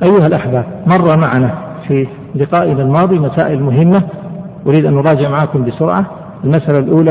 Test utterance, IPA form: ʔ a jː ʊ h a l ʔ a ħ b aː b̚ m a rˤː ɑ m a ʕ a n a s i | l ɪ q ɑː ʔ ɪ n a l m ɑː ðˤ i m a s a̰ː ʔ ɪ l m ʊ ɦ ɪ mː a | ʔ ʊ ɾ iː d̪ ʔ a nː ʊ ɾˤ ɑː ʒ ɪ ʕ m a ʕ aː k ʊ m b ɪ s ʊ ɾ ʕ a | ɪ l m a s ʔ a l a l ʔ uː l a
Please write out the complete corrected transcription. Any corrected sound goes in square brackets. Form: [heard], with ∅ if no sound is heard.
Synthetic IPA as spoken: ʔ a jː ʊ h a l ʔ a ħ b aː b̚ m [ɑ] rˤː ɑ m a ʕ a n a [f] i | l ɪ q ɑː ʔ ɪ n a l m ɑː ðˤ i m a s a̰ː ʔ ɪ l m ʊ ɦ ɪ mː a | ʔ ʊ ɾ iː d̪ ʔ a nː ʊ ɾˤ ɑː [d͡ʒ] ɪ ʕ m a ʕ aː k ʊ m b ɪ s ʊ ɾ ʕ a | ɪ l m a s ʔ a l a l ʔ uː l a